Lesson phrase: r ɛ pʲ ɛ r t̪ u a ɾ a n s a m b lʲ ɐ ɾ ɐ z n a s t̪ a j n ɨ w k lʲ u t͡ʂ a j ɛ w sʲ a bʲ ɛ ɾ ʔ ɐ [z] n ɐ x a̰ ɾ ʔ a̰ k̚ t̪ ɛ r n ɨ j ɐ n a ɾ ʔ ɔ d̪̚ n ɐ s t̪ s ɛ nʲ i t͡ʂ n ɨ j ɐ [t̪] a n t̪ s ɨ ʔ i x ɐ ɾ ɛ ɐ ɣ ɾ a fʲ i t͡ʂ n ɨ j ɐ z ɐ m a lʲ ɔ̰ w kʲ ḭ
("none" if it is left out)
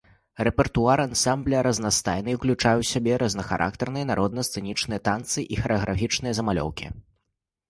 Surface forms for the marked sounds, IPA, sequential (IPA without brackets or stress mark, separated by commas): z, t̪